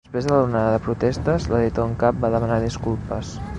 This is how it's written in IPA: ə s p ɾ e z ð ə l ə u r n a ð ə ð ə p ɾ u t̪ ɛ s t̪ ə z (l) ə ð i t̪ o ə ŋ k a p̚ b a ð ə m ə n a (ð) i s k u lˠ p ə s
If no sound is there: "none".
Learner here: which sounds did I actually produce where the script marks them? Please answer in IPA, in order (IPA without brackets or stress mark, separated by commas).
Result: l, ð